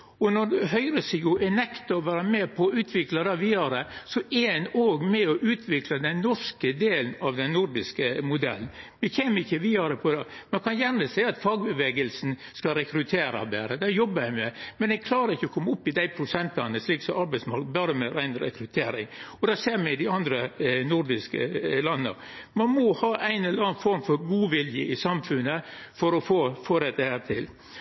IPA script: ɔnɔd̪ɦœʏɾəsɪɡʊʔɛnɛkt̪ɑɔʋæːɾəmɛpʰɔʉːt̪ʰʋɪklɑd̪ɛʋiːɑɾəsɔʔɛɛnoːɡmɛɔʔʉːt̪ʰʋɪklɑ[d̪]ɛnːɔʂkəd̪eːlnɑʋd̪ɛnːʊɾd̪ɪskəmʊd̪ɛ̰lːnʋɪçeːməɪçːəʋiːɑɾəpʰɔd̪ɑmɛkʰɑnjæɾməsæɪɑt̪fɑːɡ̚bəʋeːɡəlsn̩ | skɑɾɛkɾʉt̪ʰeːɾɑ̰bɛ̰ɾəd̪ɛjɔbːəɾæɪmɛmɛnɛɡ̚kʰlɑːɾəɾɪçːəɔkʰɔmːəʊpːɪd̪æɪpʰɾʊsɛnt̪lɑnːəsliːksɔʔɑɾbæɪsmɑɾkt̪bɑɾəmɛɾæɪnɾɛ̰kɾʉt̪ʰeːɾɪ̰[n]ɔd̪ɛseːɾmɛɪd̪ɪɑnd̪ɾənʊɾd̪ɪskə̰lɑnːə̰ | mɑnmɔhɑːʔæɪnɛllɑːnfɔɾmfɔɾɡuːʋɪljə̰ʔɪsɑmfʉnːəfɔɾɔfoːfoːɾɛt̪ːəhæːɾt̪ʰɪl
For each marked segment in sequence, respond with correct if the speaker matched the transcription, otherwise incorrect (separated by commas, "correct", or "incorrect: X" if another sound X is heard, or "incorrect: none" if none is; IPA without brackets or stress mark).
correct, incorrect: ŋ